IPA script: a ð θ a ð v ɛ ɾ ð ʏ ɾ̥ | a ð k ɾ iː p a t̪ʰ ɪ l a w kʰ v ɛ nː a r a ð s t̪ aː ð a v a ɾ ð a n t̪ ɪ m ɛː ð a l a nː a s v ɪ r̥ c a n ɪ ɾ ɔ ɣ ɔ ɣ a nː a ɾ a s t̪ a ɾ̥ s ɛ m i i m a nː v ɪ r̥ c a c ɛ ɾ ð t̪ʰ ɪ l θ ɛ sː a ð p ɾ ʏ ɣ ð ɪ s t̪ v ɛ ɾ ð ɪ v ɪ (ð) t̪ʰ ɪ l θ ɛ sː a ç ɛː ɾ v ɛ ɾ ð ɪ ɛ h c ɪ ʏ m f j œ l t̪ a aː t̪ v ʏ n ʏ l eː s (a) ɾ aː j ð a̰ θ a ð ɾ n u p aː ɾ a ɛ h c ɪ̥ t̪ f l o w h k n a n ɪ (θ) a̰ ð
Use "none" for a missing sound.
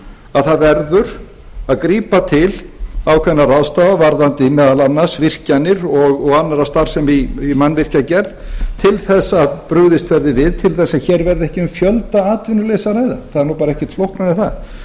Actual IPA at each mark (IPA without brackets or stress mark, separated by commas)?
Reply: ð, a, θ